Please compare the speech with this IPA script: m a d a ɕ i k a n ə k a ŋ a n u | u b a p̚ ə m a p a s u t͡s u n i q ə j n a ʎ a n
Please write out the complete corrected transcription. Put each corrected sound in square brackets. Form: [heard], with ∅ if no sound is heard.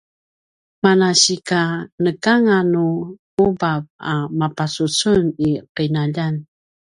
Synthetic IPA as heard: m a [n] a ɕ i k a n ə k a ŋ a n u | u b a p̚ [a] m a p a s u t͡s u n i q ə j n a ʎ a n